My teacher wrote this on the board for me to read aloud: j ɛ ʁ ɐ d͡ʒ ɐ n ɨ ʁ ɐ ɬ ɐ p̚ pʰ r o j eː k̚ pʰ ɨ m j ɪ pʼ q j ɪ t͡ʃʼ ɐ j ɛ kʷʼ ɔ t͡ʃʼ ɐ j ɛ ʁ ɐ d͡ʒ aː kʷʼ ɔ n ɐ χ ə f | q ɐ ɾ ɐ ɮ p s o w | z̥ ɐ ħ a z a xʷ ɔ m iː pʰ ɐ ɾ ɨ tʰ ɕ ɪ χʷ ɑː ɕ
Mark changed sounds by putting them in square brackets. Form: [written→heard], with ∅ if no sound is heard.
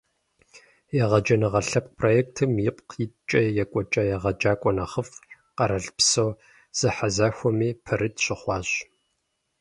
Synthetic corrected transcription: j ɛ ʁ ɐ d͡ʒ ɐ n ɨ ʁ ɐ ɬ ɐ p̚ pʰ r o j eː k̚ [pʰ→tʰ] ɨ m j ɪ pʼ q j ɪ t͡ʃʼ ɐ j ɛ kʷʼ ɔ t͡ʃʼ ɐ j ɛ ʁ ɐ d͡ʒ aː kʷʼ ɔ n ɐ χ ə f | q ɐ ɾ ɐ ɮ p s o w | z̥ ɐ ħ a z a xʷ ɔ m iː pʰ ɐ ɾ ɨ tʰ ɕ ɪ χʷ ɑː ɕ